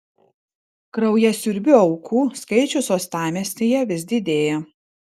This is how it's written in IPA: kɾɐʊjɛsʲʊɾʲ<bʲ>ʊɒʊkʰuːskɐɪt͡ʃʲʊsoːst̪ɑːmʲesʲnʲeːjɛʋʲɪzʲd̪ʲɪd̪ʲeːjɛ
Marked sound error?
no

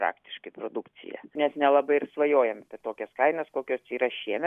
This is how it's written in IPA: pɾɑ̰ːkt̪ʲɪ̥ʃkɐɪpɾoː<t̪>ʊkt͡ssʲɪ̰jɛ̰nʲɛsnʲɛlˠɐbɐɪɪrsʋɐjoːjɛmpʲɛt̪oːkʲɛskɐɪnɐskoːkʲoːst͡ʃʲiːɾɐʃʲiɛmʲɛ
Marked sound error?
yes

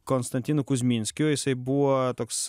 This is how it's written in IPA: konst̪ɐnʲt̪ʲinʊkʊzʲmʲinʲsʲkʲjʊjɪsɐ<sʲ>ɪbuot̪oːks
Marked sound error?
yes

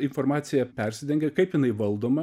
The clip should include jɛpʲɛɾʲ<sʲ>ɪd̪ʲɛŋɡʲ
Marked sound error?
no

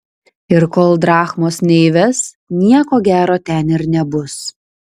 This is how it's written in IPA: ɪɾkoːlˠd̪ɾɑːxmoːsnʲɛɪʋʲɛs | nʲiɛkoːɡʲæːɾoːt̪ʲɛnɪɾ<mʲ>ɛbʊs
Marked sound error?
yes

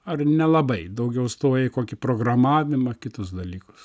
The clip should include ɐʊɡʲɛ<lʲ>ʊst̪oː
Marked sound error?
yes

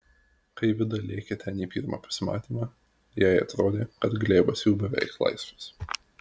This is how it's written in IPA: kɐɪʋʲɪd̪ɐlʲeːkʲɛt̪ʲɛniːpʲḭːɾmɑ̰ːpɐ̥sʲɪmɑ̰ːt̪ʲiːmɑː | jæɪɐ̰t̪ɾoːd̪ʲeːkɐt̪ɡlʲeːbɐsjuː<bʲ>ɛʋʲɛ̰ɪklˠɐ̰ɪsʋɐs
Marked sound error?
no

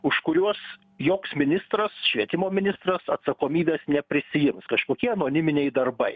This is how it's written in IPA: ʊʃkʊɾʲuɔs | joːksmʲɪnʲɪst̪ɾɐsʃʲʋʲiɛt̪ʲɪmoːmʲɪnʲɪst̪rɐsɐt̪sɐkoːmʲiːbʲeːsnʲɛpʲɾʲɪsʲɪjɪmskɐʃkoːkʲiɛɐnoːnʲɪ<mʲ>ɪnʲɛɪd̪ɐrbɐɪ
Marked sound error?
no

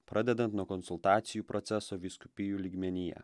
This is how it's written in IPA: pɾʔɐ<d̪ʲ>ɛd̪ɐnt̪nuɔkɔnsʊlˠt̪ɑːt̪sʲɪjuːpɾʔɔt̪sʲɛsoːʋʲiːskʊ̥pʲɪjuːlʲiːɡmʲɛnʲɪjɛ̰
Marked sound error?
no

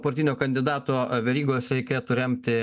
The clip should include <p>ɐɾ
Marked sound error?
no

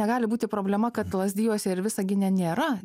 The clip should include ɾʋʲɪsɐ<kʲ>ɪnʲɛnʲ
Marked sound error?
yes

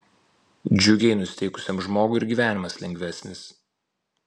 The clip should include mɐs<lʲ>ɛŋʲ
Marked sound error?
no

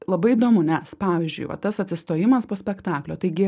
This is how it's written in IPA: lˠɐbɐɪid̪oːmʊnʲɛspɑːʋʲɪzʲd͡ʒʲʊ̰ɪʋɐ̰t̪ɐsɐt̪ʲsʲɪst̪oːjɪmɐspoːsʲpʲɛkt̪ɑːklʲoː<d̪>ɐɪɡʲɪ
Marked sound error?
yes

